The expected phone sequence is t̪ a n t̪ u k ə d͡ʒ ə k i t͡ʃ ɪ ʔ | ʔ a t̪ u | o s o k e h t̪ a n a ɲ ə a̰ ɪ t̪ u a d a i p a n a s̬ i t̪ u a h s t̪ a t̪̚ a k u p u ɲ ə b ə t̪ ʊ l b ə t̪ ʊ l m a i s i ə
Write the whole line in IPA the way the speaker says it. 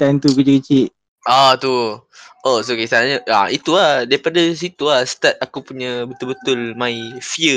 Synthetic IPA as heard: t̪ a n t̪ u k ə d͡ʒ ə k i t͡ʃ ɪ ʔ | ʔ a t̪ u | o s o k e s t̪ a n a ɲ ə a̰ i t̪ u a d a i p a d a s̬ i t̪ u a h s t̪ a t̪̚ a k u p u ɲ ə b ə t̪ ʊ l b ə t̪ ʊ l m a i f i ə